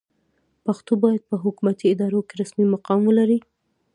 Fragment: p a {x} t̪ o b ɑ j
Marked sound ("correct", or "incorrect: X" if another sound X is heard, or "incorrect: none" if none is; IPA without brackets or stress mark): correct